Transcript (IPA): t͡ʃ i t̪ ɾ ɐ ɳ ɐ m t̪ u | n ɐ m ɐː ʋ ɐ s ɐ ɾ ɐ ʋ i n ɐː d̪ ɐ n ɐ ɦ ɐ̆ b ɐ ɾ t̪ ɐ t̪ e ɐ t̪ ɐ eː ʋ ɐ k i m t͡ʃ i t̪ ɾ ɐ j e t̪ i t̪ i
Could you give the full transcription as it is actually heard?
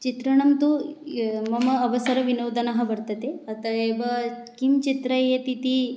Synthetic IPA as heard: t͡ʃ i t̪ ɾ ɐ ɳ ɐ m t̪ u | m ɐ m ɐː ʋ ɐ s ɐ ɾ ɐ ʋ i n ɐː d̪ ɐ n ɐ ɦ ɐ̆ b ɐ ɾ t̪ ɐ t̪ e ɐ t̪ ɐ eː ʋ ɐ k i m t͡ʃ i t̪ ɾ ɐ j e t̪ i t̪ i